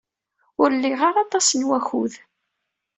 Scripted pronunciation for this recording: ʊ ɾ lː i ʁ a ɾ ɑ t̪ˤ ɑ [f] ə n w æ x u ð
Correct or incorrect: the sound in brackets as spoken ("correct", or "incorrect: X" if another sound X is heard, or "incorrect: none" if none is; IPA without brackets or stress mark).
incorrect: s